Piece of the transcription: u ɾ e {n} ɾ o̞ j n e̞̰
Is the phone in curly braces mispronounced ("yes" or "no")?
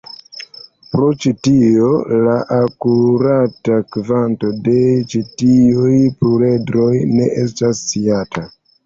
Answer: yes